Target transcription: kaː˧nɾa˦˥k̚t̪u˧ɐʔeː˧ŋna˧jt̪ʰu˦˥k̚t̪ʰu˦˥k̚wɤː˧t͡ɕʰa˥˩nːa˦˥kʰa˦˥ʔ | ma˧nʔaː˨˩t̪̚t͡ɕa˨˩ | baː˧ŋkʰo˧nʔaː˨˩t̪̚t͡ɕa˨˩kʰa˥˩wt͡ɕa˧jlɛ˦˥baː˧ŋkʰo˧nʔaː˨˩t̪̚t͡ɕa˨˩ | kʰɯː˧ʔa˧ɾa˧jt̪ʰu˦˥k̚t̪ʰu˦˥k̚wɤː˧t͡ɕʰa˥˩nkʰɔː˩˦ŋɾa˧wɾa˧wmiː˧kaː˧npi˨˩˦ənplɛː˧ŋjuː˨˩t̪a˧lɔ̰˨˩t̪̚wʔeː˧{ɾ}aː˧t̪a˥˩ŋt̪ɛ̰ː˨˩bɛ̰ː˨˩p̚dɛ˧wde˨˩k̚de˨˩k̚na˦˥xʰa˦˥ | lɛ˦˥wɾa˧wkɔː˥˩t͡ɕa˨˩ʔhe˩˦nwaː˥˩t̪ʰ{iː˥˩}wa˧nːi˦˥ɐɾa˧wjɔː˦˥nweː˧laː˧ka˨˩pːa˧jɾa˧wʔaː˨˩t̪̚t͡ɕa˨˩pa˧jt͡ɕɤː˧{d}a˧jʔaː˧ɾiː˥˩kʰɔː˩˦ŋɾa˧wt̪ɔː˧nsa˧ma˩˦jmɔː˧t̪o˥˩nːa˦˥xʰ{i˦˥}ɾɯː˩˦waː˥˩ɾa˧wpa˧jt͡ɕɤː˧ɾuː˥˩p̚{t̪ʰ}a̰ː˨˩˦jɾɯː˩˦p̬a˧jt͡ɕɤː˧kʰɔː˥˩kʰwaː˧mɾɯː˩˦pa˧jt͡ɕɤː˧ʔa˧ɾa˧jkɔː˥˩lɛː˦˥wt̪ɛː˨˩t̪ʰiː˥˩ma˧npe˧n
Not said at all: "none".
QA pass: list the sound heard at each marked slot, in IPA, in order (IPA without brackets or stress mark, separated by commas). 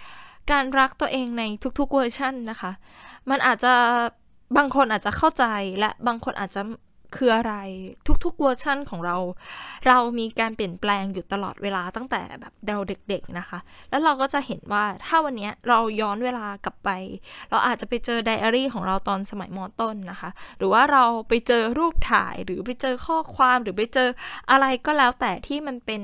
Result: l, aː˥˩, d, a˦˥, t̪ʰ